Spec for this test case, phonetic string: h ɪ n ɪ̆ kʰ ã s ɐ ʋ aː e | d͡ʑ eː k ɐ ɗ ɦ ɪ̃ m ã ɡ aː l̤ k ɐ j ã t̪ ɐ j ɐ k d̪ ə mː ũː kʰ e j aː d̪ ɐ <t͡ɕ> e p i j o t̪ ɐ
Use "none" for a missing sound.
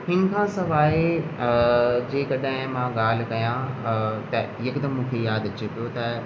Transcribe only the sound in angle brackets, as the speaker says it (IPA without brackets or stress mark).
t͡ɕ